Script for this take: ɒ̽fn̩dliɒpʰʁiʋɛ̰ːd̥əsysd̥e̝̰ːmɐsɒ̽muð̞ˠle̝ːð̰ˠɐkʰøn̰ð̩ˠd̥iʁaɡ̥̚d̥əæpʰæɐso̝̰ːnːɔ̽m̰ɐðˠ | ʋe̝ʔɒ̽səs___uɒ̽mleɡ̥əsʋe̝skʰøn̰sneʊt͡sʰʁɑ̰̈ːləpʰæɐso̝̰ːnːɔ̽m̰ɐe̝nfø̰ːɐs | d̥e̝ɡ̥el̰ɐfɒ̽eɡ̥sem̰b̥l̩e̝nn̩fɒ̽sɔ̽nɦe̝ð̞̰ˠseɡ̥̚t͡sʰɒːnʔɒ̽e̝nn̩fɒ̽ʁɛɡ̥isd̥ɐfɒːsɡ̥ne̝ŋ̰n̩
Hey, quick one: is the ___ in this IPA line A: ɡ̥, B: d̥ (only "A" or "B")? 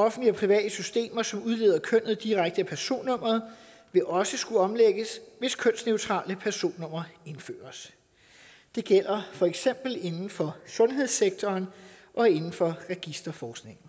A